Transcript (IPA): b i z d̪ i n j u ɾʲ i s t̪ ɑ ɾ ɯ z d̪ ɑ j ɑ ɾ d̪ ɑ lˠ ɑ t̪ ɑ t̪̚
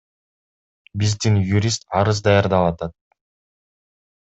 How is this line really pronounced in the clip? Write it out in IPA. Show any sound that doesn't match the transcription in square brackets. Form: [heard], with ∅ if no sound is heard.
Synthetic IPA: b i z d̪ i n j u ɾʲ i s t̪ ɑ ɾ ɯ z d̪ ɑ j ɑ ɾ d̪ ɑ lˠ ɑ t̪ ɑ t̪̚